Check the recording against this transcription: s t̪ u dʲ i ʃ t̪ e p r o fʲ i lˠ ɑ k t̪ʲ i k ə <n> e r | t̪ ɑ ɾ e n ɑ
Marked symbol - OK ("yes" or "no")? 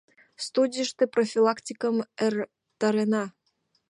no